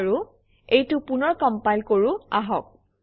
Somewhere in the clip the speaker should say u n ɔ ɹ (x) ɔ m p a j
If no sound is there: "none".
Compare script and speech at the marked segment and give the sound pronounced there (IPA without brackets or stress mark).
k